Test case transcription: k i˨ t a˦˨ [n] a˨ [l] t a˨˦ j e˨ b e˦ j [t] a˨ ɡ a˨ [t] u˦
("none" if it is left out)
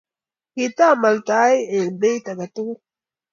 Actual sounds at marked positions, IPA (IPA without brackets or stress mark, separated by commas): m, l, t, t